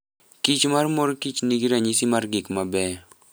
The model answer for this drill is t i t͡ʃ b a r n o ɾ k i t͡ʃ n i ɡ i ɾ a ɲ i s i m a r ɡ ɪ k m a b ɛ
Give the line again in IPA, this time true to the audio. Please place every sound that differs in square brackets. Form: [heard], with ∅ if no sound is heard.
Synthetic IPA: [k] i t͡ʃ [m] a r [m] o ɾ k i t͡ʃ n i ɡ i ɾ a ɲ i s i m a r ɡ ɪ k m a b ɛ